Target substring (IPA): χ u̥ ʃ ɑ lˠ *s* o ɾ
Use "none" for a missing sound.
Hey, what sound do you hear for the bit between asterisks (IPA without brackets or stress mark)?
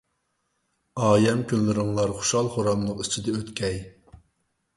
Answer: χ